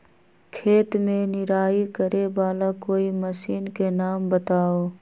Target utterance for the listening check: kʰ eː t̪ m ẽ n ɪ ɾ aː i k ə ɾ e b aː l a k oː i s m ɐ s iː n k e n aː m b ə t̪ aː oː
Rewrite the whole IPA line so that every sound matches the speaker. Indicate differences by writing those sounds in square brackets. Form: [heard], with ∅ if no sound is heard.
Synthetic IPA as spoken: kʰ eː t̪ m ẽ n ɪ ɾ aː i k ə ɾ e b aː l a k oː i [∅] m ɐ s iː n k e n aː m b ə t̪ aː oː